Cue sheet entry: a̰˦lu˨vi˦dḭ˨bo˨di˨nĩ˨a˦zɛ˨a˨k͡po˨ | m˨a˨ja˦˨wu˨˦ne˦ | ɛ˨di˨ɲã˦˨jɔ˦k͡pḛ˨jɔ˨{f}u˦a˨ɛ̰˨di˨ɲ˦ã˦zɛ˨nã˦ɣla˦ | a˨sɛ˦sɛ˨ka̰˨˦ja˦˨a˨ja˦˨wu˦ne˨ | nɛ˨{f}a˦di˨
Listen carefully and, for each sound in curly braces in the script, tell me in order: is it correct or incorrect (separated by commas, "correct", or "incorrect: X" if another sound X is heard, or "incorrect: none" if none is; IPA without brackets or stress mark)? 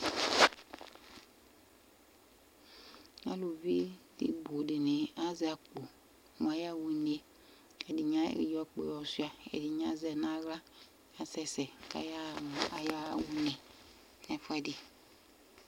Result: incorrect: s, correct